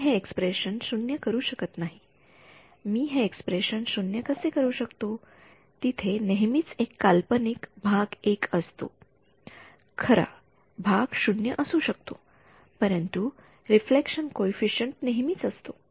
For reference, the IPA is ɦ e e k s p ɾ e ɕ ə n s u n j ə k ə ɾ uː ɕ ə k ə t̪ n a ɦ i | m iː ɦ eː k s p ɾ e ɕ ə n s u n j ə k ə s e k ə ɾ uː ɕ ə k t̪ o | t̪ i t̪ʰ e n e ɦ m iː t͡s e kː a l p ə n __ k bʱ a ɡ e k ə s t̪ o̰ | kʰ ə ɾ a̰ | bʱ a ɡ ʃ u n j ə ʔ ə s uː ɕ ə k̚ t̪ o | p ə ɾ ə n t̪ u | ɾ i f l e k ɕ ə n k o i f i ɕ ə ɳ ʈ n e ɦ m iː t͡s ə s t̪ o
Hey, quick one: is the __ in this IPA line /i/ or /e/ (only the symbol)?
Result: i